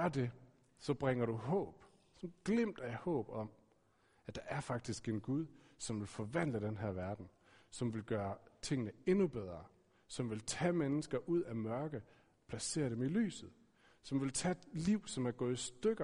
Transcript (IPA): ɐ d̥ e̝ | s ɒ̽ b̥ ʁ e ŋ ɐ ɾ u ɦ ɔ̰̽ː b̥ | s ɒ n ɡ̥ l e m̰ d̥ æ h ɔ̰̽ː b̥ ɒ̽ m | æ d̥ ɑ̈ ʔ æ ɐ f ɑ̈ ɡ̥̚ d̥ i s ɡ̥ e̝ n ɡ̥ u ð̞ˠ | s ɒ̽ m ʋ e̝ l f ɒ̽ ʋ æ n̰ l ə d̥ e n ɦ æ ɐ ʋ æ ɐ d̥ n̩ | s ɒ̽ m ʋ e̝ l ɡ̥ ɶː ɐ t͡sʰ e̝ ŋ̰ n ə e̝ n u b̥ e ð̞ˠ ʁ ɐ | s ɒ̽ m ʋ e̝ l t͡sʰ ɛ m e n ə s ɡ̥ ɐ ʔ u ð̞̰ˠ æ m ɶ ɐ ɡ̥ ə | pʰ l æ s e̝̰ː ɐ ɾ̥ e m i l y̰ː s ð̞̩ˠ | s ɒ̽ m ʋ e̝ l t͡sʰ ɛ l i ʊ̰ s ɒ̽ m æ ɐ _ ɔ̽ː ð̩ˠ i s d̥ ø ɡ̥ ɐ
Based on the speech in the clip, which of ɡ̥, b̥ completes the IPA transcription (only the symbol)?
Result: ɡ̥